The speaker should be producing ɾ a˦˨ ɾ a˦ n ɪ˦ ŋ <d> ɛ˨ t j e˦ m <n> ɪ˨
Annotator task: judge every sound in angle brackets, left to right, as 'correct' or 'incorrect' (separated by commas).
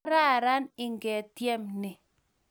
incorrect, correct